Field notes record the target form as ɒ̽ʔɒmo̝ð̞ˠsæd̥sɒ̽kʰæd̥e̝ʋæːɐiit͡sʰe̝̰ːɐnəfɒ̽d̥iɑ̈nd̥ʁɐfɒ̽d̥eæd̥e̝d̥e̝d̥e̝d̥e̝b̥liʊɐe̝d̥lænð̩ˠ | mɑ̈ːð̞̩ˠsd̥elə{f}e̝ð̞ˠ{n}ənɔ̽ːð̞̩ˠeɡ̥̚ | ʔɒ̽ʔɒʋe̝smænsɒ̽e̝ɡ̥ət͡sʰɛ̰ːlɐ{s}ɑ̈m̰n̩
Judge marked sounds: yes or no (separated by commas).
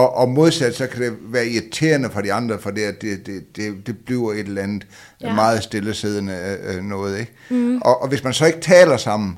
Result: no, yes, yes